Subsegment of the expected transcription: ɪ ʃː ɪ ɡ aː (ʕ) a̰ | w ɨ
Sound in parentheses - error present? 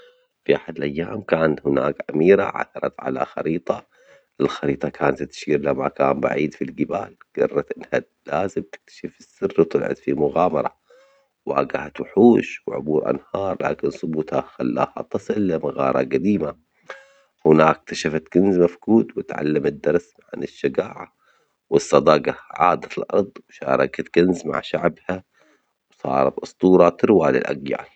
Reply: no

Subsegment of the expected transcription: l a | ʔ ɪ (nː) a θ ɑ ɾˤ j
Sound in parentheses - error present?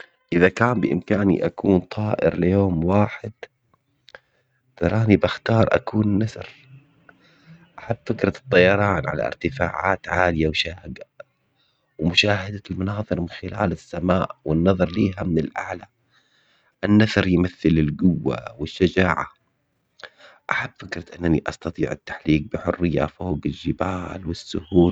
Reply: no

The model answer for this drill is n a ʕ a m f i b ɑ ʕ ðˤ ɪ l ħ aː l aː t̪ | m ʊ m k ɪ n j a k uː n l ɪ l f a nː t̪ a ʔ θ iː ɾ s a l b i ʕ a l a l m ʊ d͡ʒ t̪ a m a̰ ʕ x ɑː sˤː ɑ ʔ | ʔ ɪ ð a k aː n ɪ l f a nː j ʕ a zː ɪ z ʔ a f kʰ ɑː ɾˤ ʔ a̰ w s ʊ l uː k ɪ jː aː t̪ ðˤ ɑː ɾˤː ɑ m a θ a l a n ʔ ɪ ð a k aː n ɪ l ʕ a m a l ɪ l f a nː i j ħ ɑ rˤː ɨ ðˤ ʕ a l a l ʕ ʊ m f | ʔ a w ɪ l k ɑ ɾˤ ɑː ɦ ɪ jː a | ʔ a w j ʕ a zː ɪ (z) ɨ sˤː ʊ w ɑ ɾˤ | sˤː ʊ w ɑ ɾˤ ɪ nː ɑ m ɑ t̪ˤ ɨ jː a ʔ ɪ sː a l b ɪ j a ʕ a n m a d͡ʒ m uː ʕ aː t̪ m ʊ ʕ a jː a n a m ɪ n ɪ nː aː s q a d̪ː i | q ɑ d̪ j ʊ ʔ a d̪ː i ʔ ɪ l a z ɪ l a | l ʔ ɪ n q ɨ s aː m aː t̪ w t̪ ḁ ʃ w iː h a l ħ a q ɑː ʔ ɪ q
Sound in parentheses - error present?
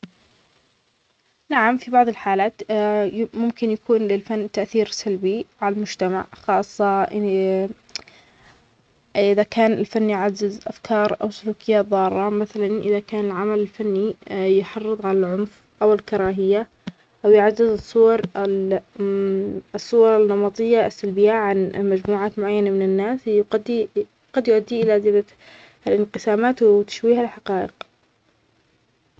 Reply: no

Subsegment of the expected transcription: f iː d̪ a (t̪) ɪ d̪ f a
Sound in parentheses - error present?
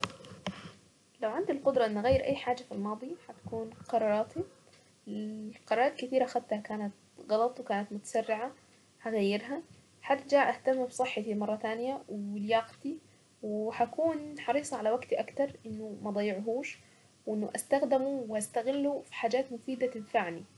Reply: no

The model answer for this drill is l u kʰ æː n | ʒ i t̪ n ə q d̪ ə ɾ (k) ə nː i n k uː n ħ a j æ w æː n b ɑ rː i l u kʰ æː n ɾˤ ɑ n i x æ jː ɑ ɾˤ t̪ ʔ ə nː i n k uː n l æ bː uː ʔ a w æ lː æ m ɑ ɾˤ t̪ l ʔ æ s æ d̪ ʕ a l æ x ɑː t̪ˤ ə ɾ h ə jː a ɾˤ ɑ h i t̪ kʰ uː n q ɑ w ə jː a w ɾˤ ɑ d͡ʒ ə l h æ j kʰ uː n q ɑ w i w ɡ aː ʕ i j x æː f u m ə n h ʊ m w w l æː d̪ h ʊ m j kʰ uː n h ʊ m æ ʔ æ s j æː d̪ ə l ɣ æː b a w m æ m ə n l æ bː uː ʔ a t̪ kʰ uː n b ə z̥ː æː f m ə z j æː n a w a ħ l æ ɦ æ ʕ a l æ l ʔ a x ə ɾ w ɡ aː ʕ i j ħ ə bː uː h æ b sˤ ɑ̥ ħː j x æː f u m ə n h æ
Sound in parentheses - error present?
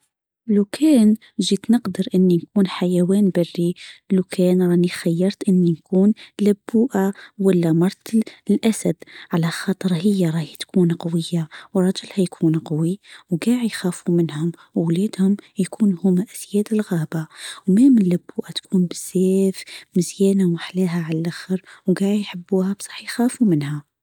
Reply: yes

